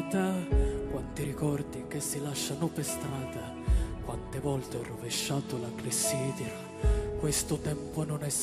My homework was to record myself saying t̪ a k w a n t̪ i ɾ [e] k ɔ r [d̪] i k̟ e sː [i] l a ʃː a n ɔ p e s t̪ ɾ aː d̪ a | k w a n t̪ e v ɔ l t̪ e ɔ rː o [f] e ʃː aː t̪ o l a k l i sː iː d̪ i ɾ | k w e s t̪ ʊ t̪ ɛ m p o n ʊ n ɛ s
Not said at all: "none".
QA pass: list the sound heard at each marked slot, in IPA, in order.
i, d̪, i, v

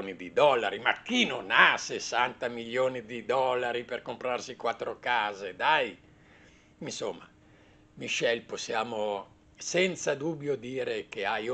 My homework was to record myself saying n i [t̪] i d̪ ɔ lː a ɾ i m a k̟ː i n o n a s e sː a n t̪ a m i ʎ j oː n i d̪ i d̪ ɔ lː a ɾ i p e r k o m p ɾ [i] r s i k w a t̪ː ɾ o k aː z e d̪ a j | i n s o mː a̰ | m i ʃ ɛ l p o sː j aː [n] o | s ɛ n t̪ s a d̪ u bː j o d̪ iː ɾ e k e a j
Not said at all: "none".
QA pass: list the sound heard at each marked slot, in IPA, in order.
d̪, a, m

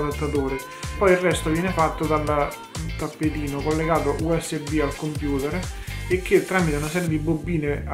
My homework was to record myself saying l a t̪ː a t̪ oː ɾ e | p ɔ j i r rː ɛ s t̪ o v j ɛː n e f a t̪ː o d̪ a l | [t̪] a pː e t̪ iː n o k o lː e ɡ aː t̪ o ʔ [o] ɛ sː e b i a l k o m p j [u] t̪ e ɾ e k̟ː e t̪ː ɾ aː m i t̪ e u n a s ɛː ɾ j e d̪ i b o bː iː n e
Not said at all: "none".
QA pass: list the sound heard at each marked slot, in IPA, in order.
t̪, u, uː

